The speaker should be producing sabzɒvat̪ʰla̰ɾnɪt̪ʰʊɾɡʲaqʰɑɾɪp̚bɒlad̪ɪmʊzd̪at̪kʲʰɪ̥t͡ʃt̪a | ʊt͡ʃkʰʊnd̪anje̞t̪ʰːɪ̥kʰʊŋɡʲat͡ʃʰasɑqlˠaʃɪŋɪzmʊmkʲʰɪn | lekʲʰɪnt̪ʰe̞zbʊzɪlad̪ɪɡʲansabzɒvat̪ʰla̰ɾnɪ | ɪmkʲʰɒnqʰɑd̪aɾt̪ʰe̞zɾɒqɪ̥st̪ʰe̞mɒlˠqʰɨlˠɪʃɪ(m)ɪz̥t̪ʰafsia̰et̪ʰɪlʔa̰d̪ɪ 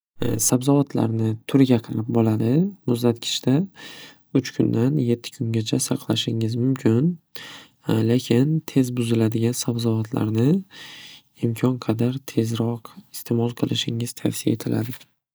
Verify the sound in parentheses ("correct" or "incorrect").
incorrect